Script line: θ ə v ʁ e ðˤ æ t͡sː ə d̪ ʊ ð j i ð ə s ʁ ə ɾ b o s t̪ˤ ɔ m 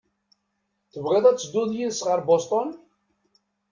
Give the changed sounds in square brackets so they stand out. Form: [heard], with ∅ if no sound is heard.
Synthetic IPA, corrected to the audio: θ ə v ʁ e ðˤ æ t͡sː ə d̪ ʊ ð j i ð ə s ʁ ə ɾ b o s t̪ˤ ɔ [n]